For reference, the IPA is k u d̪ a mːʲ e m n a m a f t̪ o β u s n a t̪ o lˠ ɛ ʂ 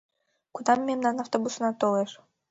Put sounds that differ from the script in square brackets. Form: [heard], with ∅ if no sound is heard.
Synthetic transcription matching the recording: k u d̪ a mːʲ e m n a [n] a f t̪ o [b] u s n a t̪ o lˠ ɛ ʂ